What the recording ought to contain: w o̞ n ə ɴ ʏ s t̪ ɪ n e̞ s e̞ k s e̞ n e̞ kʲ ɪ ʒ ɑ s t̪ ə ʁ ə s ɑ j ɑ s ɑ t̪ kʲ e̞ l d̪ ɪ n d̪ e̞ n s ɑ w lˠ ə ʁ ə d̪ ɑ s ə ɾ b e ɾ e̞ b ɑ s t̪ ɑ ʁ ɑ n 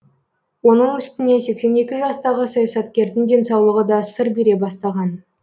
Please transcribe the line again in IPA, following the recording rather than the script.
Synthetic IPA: w o̞ n ə ɴ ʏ s t̪ ɪ n e̞ s e̞ k s e̞ n e̞ kʲ ɪ ʒ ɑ s t̪ ɑ ʁ ə s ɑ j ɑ s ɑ t̪ kʲ e̞ ɾ d̪ ɪ n d̪ e̞ n s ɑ w lˠ ə ʁ ə d̪ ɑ s ə ɾ b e ɾ e̞ b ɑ s t̪ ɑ ʁ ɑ n